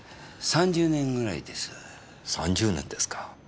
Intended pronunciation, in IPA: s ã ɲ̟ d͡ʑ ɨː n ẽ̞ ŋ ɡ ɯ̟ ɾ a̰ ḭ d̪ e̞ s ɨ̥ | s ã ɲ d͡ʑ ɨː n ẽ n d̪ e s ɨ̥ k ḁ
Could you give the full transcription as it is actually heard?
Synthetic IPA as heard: s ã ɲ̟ d͡ʑ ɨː n ẽ̞ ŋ ɡ ɯ̟ ɾ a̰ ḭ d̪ e̞ s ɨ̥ | s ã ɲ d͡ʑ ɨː n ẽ n d̪ e s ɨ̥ k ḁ